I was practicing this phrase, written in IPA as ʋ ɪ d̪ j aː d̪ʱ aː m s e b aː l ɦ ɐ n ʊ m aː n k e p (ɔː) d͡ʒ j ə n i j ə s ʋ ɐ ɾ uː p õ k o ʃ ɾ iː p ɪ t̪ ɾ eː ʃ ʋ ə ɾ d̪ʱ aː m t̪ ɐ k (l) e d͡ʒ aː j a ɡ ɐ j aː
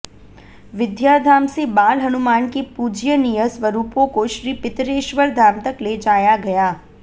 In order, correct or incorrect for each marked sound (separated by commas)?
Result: incorrect, correct